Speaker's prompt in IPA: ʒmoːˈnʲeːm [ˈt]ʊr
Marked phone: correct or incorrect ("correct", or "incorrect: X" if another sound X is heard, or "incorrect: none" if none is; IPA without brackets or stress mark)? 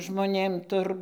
correct